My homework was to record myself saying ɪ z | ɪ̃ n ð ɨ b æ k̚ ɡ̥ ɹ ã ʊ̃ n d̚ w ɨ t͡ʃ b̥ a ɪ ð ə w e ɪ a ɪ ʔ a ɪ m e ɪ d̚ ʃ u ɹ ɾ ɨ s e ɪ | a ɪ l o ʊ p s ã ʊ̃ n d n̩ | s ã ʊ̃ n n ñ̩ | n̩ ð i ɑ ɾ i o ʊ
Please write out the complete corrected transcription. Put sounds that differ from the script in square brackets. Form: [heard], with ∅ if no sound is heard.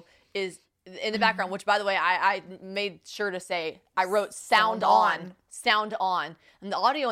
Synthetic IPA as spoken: ɪ z | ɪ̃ n ð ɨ b æ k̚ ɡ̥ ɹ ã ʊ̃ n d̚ w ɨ t͡ʃ b̥ a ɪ ð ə w e ɪ a ɪ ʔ a ɪ m e ɪ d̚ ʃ [ʊ] ɹ ɾ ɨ s e ɪ | a ɪ [ɹ] o ʊ [t] s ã ʊ̃ n d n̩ | s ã ʊ̃ n [d] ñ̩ | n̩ ð i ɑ ɾ i o ʊ